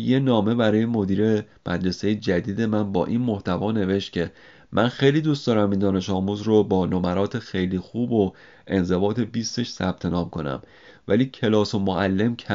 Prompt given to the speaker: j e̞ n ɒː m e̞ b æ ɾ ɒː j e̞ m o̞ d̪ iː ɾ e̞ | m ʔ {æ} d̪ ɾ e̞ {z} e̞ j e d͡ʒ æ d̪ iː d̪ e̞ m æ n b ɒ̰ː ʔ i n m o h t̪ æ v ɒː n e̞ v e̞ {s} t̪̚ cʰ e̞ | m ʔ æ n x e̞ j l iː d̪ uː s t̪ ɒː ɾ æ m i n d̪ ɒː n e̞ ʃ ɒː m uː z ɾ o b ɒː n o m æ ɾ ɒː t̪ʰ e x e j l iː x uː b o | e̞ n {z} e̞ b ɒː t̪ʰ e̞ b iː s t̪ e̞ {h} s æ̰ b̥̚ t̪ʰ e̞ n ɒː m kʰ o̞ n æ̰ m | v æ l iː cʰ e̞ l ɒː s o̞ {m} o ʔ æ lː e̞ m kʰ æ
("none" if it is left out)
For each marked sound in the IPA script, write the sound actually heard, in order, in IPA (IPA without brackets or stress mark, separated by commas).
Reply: æ, s, ʃ, z, ʃ, m